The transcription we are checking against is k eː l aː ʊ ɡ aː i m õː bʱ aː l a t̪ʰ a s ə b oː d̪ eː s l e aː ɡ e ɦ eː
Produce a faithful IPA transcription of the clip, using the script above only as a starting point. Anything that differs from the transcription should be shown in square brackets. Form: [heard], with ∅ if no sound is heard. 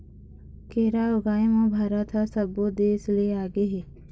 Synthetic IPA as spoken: k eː [ɾ] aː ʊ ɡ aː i m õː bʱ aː [ɾ] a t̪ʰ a s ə b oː d̪ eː s l e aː ɡ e ɦ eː